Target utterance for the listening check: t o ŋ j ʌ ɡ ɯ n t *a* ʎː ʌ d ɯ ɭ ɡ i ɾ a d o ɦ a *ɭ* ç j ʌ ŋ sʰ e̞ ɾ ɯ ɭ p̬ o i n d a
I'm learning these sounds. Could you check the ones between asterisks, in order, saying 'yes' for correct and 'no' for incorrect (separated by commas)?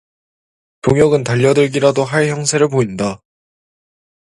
yes, yes